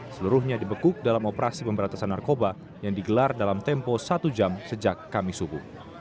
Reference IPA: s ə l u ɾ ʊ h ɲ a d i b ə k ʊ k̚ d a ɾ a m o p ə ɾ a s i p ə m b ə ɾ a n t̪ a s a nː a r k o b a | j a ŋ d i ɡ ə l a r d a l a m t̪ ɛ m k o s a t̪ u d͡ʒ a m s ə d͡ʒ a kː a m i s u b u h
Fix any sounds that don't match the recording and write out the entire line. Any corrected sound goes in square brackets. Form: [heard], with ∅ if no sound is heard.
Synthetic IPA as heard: s ə l u ɾ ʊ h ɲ a d i b ə k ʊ k̚ d a [l] a m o p ə ɾ a s i p ə m b ə ɾ a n t̪ a s a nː a r k o b a | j a ŋ d i ɡ ə l a r d a l a m t̪ ɛ m [p] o s a t̪ u d͡ʒ a m s ə d͡ʒ a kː a m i s u b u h